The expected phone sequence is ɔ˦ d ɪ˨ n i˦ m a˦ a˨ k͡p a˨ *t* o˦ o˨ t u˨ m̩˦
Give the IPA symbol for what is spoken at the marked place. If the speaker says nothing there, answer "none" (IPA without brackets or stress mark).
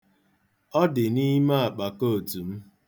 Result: k